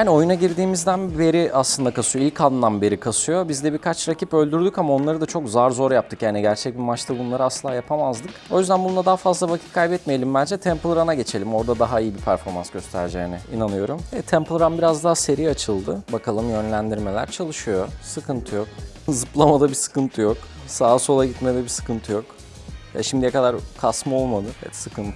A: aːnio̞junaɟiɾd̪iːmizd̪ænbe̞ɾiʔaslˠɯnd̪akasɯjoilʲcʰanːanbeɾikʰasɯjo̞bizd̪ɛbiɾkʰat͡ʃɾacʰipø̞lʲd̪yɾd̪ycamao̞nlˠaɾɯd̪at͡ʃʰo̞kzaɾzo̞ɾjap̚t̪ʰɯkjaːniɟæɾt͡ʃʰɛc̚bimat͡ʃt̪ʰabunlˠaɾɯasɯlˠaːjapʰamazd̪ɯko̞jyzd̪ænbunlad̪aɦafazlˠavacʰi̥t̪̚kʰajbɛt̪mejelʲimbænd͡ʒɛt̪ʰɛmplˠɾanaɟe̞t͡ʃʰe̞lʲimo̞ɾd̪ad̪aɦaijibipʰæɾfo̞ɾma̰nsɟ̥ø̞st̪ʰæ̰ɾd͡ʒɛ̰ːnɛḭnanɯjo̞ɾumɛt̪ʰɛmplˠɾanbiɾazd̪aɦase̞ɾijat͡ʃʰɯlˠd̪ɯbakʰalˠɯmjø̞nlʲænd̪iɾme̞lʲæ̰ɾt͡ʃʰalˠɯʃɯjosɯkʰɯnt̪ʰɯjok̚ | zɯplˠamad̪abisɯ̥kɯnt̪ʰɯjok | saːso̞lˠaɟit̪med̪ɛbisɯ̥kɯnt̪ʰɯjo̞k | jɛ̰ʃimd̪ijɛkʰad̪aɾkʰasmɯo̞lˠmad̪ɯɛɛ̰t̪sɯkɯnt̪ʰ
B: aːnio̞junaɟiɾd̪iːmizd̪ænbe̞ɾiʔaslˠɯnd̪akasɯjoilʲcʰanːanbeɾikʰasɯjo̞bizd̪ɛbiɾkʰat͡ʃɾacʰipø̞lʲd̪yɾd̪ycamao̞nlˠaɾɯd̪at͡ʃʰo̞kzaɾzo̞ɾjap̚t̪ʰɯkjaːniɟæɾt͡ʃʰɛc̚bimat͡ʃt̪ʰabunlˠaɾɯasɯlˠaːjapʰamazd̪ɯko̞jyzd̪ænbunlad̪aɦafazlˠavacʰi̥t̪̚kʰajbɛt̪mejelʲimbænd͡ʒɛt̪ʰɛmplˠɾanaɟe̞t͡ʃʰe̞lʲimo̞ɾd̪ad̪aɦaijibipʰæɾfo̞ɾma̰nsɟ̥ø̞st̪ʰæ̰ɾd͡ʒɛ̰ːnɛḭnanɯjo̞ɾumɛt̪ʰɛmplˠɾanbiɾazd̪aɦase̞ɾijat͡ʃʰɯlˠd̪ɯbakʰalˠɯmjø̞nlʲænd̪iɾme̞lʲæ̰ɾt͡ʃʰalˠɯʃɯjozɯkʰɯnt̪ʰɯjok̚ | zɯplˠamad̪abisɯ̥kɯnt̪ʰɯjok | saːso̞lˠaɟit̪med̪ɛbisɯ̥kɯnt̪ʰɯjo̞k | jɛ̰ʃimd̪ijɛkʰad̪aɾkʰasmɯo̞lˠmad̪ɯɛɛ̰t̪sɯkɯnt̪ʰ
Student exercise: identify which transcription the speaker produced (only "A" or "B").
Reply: A